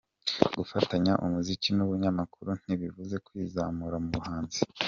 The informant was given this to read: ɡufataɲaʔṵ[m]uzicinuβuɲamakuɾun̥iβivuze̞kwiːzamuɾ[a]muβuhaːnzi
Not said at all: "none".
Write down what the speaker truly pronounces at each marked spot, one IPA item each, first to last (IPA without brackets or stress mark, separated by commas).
m, a